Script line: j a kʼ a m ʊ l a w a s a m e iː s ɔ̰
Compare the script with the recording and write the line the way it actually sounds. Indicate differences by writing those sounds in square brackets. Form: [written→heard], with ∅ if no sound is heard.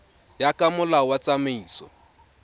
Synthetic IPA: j a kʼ a m ʊ l a w a [s→t͡s] a m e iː s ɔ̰